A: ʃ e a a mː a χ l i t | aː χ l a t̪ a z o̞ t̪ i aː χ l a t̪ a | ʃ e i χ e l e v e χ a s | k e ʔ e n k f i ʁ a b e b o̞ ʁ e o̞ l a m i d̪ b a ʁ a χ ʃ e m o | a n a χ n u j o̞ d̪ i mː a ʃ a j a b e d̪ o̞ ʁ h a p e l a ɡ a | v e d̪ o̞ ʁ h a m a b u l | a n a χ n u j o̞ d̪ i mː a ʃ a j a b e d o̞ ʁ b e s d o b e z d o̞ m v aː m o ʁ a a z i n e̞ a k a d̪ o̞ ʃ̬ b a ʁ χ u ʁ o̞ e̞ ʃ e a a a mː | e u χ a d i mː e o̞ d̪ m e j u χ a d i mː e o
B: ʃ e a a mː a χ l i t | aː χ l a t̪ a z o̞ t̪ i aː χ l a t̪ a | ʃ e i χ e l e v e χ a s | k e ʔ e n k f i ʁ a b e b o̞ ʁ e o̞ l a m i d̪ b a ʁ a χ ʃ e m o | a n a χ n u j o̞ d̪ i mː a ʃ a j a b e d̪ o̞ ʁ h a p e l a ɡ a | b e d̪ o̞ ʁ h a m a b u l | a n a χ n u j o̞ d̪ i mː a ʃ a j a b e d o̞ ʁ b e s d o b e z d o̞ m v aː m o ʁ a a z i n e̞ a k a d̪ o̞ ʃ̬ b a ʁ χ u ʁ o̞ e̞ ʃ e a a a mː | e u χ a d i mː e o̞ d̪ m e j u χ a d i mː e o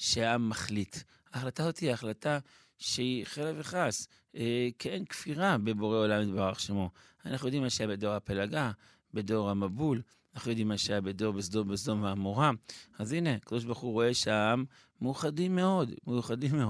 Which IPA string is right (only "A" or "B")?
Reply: B